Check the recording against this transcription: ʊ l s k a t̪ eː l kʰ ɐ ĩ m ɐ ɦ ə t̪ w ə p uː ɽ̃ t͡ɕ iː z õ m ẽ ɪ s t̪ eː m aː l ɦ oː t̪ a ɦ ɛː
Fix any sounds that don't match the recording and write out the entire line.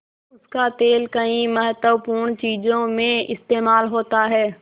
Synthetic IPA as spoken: ʊ s k a t̪ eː l k ɐ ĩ m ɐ ɦ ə t̪ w ə p uː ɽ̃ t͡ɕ iː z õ m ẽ ɪ s t̪ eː m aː l ɦ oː t̪ a ɦ ɛː